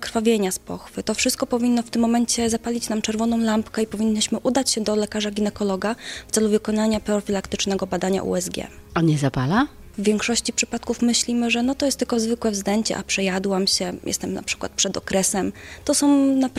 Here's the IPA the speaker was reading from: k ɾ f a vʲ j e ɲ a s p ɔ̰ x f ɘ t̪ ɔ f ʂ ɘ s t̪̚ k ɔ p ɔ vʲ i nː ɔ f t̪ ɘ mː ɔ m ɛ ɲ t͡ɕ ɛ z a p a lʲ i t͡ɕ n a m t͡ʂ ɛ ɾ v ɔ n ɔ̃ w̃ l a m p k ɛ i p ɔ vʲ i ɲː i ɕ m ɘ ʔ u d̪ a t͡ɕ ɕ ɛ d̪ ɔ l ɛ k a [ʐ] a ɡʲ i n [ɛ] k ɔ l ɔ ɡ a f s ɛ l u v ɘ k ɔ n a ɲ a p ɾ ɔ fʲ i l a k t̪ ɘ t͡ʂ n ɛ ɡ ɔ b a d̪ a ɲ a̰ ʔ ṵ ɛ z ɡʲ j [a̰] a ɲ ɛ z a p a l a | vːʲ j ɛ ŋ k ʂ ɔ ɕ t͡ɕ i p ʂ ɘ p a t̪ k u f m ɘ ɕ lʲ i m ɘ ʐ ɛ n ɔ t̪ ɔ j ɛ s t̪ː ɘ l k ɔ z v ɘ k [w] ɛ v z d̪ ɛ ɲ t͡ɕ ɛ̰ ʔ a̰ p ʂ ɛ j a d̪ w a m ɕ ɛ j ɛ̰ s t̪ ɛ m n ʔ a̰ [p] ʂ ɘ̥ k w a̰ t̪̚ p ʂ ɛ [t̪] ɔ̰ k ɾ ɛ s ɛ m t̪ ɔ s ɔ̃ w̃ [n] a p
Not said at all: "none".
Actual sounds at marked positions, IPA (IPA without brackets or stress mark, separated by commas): ʐ, ɛ, ɛ̰, w, p, d̪, n